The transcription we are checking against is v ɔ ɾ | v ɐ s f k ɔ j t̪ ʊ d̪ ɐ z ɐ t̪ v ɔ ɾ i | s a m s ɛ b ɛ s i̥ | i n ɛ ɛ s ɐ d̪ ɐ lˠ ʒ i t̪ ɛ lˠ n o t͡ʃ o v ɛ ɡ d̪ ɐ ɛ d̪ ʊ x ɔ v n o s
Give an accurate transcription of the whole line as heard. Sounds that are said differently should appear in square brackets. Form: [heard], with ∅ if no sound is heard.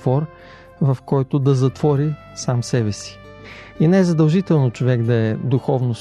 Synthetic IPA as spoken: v ɔ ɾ | v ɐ [∅] f k ɔ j t̪ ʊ d̪ ɐ z ɐ t̪ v ɔ ɾ i | s a m s ɛ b ɛ s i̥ | i n ɛ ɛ [z] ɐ d̪ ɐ lˠ ʒ i t̪ ɛ lˠ n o t͡ʃ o v ɛ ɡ d̪ ɐ ɛ d̪ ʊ x ɔ v n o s